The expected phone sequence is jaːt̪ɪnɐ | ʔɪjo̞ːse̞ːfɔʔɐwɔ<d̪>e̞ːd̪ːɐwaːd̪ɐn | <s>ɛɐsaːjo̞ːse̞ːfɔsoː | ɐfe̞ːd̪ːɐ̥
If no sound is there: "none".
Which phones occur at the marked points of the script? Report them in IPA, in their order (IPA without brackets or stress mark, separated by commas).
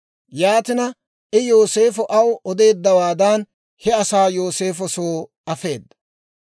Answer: d̪, h